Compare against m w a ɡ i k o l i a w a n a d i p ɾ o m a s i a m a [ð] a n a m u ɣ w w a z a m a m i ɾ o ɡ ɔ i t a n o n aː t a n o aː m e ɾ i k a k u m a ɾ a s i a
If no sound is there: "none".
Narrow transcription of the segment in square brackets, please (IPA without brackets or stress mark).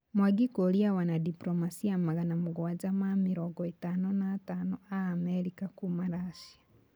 ɣ